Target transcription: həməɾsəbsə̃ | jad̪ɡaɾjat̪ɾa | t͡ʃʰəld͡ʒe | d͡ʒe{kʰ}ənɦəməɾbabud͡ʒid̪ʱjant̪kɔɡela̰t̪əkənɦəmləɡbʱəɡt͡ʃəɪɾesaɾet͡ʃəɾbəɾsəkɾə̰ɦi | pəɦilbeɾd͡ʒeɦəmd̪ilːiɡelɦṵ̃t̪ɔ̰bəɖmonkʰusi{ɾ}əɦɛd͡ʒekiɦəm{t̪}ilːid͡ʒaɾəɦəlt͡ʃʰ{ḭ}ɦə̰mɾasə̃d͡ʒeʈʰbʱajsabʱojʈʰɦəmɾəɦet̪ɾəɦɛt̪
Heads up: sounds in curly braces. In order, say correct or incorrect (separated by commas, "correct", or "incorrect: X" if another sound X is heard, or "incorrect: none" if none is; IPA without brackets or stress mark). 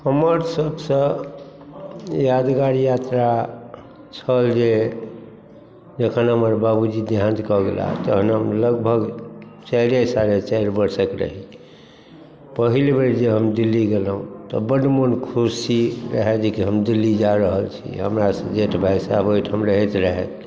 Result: correct, correct, incorrect: d̪, correct